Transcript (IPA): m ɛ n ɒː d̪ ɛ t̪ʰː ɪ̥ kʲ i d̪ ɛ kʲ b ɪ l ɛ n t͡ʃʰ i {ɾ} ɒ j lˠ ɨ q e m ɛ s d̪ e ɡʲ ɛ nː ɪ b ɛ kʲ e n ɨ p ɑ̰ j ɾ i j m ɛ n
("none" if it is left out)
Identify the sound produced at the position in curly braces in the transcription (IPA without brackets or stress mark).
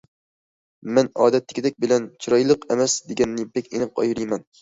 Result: ɾ